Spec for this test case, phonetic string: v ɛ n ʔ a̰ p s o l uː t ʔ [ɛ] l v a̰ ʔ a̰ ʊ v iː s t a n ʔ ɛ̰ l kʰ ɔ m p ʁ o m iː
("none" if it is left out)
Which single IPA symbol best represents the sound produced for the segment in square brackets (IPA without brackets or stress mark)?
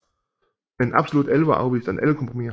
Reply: ɛ